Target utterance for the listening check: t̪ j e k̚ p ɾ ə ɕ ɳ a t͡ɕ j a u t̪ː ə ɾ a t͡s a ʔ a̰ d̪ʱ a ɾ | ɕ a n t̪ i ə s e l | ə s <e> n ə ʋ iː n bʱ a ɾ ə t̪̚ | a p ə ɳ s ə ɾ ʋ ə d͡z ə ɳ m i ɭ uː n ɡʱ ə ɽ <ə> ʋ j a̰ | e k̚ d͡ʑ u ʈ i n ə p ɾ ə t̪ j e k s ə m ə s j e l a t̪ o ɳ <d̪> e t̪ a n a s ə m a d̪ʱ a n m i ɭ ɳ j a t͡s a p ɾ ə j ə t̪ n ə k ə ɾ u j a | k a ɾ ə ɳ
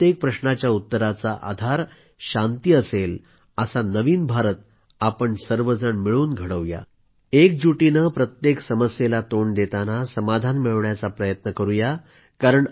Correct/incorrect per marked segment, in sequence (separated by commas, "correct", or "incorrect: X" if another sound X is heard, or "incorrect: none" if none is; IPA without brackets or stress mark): incorrect: a, correct, correct